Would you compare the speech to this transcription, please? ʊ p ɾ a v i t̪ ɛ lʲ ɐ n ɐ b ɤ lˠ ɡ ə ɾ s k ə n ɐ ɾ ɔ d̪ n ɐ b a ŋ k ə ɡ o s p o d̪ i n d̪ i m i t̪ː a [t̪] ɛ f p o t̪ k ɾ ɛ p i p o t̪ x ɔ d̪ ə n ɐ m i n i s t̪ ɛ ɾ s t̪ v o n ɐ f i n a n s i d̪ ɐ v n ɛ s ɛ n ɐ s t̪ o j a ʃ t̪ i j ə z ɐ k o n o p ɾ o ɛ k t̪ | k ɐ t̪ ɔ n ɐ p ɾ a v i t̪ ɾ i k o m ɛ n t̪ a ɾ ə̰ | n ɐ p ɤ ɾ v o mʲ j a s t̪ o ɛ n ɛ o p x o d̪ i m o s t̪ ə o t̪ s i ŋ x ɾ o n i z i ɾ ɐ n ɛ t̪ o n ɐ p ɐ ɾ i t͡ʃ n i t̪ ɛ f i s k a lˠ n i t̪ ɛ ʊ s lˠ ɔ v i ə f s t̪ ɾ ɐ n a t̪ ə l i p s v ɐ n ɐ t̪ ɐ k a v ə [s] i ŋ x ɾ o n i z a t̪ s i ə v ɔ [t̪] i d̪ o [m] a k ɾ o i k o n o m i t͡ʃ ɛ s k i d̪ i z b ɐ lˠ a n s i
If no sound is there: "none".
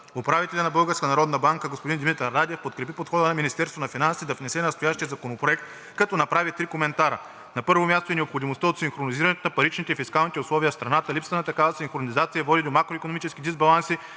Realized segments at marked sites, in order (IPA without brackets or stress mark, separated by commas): d̪, s, d̪, m